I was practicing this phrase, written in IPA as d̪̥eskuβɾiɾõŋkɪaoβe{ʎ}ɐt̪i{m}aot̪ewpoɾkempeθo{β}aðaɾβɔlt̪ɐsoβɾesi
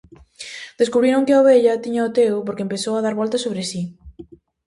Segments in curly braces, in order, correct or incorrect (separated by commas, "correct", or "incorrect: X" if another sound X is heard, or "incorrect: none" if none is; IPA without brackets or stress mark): correct, incorrect: ɲ, incorrect: w